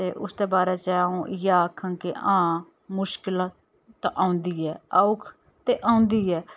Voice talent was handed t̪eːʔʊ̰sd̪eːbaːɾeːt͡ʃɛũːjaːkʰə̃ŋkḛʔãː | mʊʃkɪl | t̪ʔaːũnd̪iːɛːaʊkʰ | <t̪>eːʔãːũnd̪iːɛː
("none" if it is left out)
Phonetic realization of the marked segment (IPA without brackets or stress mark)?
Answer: t̪